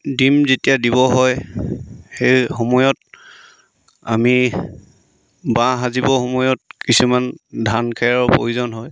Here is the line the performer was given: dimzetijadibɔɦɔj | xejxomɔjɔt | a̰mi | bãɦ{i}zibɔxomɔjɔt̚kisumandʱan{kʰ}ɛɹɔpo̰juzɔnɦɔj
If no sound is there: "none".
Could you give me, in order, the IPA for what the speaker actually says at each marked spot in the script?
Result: a, kʰ

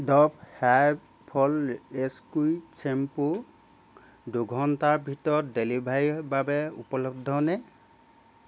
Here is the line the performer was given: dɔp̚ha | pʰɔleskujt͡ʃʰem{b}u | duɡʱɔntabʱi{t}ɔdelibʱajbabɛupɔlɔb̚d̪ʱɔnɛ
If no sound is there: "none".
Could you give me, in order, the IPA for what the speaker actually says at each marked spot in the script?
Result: p, t

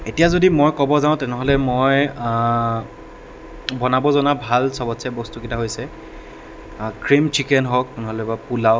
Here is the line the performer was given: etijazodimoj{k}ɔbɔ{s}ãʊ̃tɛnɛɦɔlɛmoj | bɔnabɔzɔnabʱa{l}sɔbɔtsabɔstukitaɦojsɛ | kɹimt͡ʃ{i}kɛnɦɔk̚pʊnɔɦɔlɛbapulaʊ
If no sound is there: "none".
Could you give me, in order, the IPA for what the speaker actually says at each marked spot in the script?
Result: k, z, l, i

